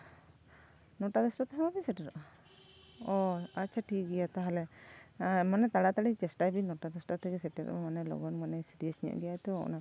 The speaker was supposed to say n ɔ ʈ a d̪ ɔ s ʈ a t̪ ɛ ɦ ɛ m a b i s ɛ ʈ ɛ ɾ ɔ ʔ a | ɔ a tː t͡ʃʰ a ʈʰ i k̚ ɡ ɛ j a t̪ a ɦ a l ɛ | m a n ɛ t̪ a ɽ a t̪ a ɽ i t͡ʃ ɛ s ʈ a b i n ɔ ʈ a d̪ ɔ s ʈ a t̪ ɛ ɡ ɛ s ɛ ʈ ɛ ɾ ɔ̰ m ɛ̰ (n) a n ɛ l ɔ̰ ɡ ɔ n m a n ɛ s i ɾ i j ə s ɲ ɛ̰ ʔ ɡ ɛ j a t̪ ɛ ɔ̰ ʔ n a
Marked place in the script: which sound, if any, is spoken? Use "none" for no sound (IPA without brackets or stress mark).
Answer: m